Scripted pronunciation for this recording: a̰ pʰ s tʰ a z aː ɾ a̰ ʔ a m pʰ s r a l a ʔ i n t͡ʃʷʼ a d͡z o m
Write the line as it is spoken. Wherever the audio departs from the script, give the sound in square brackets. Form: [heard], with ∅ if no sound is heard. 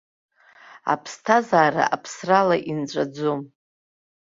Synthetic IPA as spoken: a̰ pʰ s tʰ a z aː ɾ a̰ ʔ a [∅] pʰ s r a l a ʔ i n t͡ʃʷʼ a d͡z o m